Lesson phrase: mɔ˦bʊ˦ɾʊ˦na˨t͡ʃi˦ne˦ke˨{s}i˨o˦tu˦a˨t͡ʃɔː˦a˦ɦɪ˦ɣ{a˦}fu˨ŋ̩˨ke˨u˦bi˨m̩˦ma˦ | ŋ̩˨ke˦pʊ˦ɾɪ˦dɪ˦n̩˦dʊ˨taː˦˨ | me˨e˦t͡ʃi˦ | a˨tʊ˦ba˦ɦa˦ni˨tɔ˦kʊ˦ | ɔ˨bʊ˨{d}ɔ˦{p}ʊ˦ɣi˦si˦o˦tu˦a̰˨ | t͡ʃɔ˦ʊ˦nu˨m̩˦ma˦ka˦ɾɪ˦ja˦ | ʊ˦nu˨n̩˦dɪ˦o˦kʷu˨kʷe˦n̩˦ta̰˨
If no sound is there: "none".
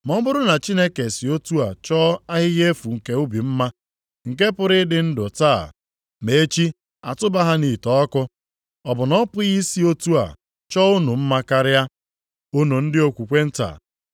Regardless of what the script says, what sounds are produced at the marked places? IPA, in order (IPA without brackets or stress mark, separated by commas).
s, e˦, n, p